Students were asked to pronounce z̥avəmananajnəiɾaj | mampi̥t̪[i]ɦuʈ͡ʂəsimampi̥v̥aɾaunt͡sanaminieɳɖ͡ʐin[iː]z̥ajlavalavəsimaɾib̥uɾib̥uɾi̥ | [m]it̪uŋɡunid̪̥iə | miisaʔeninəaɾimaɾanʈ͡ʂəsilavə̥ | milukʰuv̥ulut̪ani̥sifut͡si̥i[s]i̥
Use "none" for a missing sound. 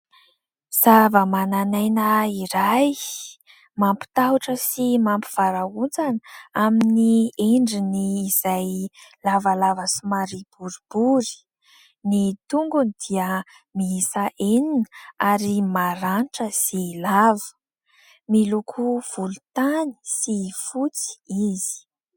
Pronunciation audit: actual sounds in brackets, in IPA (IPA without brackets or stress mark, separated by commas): a, iː, n, z